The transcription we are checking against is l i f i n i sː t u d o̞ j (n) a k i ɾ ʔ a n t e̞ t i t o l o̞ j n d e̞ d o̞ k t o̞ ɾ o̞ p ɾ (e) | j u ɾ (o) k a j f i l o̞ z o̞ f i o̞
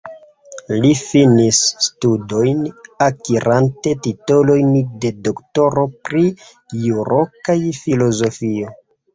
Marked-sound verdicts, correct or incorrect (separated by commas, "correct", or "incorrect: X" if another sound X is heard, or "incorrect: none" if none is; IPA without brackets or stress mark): correct, incorrect: i, correct